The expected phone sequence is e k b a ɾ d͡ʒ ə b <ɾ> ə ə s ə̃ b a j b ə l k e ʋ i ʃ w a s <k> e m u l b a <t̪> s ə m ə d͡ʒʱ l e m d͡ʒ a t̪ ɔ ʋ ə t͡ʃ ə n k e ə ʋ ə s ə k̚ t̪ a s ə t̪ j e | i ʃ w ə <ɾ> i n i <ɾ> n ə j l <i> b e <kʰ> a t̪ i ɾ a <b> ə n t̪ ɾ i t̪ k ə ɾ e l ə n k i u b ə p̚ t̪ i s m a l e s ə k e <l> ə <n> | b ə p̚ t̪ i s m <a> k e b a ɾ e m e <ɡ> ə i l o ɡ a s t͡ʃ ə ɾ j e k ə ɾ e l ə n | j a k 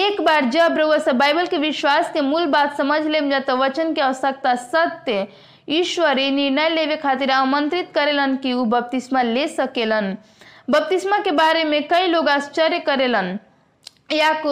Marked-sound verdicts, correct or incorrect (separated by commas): correct, correct, correct, correct, correct, incorrect, correct, incorrect, correct, correct, correct, incorrect